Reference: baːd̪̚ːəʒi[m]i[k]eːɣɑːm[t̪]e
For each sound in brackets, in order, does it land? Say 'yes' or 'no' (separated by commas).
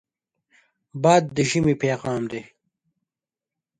yes, no, no